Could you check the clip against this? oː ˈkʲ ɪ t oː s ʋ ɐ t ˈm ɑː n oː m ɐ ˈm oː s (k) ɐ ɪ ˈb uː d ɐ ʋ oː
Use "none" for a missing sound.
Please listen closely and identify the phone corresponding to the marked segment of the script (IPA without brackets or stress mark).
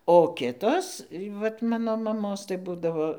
t